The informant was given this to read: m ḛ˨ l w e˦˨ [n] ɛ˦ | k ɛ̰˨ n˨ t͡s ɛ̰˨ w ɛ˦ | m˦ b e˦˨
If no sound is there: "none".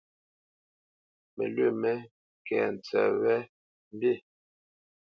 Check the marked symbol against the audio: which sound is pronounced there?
m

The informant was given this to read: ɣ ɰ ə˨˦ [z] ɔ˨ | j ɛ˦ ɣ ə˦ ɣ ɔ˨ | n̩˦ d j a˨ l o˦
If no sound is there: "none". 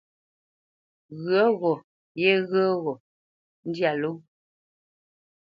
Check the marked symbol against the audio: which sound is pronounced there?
ɣ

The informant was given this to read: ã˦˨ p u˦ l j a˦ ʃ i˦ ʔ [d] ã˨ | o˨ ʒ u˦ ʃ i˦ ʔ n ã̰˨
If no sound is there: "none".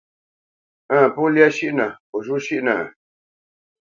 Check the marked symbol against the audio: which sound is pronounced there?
n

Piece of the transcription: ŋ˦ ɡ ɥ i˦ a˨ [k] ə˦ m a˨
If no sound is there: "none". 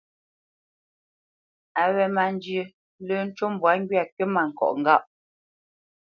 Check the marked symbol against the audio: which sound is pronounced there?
k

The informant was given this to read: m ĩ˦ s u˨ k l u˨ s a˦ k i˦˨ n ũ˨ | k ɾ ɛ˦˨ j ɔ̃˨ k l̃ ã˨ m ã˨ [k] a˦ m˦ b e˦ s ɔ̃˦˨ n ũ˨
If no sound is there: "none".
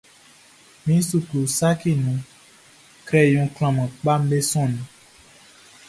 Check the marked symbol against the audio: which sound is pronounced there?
k͡p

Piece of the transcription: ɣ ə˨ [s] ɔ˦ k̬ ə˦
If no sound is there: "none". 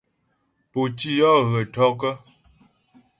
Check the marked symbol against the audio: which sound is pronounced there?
t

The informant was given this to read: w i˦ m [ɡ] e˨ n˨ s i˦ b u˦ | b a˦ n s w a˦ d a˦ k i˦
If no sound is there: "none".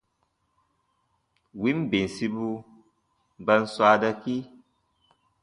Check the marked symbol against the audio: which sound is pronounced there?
b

